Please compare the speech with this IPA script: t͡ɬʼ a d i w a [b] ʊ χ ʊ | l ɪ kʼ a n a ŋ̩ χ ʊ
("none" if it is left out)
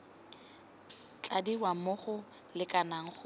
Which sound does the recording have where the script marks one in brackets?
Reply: m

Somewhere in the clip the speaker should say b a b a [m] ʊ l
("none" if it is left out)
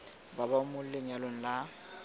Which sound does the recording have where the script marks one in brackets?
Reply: m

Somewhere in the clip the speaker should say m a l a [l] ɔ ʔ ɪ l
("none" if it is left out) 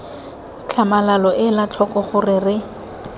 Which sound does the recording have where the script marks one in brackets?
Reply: l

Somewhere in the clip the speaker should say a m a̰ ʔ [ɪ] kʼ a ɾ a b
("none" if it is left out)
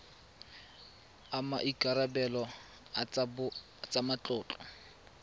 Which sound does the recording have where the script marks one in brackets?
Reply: i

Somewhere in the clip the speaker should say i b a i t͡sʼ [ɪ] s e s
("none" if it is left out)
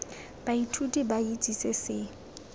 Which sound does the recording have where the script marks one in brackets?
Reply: i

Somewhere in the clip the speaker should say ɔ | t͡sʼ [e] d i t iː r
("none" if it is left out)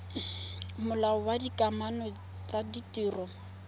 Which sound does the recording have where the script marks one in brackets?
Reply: a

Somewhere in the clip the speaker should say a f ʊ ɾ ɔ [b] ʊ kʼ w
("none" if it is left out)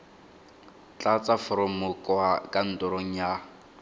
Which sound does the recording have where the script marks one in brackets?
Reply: m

